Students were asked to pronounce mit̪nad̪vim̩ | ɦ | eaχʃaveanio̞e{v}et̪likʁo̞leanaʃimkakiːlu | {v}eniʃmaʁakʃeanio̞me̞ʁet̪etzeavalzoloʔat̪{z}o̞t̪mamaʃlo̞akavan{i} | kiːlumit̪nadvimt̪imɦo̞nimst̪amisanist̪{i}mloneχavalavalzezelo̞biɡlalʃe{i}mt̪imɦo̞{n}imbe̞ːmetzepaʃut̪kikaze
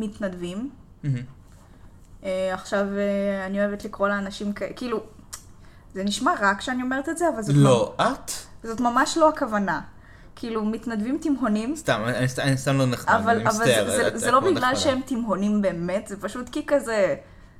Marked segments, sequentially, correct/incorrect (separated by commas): correct, incorrect, correct, incorrect, incorrect, incorrect, correct